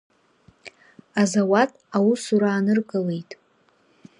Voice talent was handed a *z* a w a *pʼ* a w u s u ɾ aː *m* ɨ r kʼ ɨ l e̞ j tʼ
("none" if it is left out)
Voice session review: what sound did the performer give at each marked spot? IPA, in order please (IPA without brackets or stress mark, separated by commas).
z, tʼ, n